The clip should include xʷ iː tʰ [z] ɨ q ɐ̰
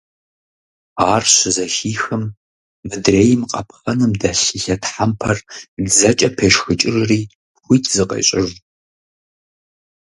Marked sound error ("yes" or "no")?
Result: no